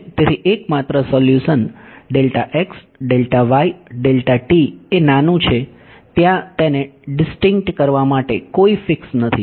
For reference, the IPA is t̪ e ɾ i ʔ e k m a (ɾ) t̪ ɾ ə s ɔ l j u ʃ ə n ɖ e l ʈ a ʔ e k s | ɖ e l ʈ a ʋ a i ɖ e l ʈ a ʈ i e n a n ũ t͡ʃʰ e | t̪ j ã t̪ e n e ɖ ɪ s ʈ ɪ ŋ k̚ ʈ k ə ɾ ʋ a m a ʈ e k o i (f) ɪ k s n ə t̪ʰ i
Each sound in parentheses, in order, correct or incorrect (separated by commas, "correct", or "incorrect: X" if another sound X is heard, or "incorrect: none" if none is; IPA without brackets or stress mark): incorrect: none, correct